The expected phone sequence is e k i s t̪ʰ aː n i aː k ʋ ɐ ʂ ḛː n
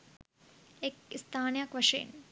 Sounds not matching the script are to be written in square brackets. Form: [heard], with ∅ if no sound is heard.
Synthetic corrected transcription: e k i s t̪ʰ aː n [j] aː k ʋ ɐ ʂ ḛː n